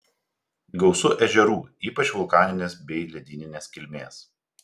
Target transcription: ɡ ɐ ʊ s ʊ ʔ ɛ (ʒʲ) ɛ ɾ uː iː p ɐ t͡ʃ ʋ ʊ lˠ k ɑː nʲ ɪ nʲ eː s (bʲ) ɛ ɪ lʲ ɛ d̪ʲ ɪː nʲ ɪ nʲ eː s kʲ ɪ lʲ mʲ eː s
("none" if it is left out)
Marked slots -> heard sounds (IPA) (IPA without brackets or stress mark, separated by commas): ʒʲ, bʲ